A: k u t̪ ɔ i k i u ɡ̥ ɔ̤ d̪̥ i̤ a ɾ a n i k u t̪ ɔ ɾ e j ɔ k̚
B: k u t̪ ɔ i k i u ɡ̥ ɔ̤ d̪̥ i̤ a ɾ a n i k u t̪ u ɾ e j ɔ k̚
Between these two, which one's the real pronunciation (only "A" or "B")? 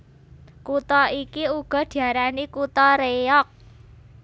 A